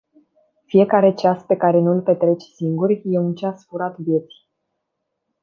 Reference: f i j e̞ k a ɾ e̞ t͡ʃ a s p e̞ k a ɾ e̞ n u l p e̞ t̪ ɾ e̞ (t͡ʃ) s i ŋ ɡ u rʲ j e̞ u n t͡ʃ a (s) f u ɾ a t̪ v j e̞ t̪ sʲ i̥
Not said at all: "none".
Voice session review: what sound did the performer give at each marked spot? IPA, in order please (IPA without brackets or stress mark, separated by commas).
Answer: t͡ʃ, s